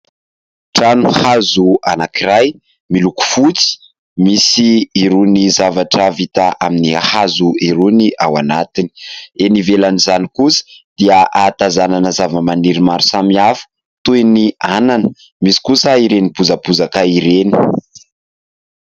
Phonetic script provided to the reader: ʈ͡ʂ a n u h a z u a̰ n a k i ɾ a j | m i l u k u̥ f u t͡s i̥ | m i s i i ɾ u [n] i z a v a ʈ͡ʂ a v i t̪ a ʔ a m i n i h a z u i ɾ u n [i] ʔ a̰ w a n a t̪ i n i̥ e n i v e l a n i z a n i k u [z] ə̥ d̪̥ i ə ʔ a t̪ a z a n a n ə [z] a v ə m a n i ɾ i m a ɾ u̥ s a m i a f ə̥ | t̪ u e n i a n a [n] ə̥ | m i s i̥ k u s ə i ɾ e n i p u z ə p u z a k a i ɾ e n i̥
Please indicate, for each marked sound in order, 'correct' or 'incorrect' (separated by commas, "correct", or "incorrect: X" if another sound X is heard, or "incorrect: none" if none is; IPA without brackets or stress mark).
correct, correct, incorrect: s, correct, correct